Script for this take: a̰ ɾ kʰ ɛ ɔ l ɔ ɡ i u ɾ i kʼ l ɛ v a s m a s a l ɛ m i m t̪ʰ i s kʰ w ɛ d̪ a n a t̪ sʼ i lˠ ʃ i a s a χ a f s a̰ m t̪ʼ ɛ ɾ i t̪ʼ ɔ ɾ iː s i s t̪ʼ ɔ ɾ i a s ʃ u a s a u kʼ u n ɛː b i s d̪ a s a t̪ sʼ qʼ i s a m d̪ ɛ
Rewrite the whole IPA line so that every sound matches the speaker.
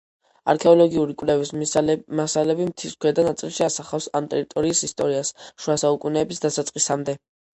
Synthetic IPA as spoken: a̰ ɾ kʰ ɛ ɔ l ɔ ɡ i u ɾ i kʼ l ɛ v i s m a s a l ɛ b i m t̪ʰ i s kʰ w ɛ d̪ a n a t̪ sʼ i lˠ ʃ i a s a χ a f s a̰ m t̪ʼ ɛ ɾ i t̪ʼ ɔ ɾ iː s i s t̪ʼ ɔ ɾ i a s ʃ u a s a u kʼ u n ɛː b i s d̪ a s a t̪ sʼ qʼ i s a m d̪ ɛ